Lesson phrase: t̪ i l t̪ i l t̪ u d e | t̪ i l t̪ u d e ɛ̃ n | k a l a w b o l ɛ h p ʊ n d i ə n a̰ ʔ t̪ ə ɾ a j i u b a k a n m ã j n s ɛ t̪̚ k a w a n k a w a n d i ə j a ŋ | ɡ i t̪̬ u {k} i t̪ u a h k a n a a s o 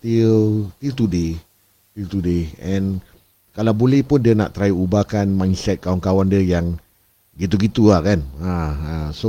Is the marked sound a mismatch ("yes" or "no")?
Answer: yes